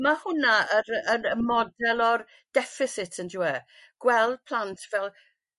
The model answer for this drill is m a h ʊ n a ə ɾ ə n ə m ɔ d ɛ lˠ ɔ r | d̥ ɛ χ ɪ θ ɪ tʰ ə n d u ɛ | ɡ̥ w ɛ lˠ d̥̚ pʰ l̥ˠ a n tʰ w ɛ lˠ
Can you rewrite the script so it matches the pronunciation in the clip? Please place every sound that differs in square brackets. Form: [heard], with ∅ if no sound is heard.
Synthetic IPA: m a h ʊ n a ə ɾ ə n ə m ɔ d ɛ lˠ ɔ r | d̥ ɛ [f] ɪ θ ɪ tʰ ə n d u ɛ | ɡ̥ w ɛ lˠ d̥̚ pʰ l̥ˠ a n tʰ [v] ɛ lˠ